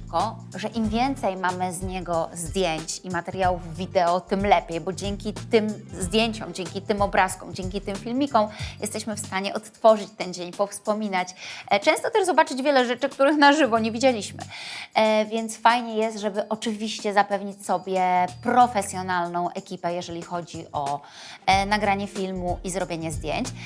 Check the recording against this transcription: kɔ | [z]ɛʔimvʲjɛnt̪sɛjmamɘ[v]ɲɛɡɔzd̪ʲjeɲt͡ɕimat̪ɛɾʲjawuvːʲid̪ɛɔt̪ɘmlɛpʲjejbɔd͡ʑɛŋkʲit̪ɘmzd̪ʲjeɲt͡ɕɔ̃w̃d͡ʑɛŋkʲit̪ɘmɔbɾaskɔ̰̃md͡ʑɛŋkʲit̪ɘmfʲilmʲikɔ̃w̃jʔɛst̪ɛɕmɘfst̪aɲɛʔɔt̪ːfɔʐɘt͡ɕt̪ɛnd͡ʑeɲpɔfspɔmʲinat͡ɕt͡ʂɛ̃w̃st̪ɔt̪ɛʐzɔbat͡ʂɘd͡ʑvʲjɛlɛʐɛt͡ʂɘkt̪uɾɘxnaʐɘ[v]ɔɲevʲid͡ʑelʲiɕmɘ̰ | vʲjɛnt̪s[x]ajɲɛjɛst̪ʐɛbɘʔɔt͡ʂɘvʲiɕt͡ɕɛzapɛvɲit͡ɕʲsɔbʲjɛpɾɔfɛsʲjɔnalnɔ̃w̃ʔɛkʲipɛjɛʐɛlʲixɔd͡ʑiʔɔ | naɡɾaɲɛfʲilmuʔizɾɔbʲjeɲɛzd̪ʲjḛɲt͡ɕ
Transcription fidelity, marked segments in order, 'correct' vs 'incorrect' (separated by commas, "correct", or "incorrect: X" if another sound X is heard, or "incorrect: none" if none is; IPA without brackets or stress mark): incorrect: ʐ, incorrect: z, correct, incorrect: f